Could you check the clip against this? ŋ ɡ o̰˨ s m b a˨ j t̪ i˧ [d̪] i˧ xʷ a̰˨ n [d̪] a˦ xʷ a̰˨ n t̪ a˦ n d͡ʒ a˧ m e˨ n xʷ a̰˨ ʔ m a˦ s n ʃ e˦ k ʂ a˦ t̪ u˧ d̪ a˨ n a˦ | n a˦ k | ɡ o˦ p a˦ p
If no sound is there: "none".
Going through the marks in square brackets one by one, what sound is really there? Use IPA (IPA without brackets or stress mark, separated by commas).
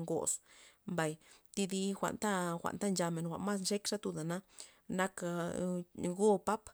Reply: d̪, t̪